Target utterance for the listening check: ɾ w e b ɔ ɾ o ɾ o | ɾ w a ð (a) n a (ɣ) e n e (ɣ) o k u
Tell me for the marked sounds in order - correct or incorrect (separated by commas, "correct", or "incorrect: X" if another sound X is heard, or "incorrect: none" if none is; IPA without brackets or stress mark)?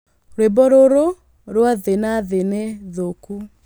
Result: incorrect: e, incorrect: ð, incorrect: ð